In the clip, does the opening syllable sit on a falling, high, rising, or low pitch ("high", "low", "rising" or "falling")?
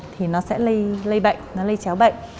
low